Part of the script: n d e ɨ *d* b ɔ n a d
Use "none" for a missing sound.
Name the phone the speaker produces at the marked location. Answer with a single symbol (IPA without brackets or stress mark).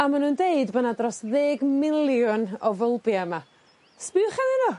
d